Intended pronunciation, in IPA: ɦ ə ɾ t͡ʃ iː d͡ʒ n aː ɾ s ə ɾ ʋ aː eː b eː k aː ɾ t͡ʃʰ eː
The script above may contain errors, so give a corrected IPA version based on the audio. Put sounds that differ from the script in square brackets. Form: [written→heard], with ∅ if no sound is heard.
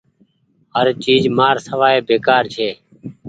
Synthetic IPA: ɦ ə ɾ t͡ʃ iː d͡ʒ [n→m] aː ɾ s ə [ɾ→∅] ʋ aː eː b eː k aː ɾ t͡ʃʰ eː